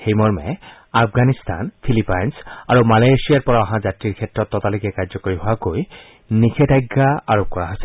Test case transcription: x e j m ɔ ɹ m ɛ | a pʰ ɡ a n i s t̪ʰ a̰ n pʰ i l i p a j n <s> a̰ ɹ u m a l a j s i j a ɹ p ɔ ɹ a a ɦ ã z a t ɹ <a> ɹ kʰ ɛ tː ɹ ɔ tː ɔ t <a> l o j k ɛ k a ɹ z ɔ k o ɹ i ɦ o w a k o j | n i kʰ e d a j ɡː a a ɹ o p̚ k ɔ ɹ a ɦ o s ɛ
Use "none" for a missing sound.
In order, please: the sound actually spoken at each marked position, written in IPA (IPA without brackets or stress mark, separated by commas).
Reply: s, i, a